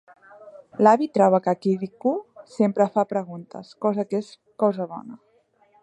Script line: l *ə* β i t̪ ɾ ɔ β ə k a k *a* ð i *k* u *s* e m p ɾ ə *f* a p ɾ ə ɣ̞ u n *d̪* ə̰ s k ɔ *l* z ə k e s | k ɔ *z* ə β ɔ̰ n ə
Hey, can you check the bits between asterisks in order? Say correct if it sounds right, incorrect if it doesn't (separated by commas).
incorrect, incorrect, correct, correct, correct, incorrect, incorrect, correct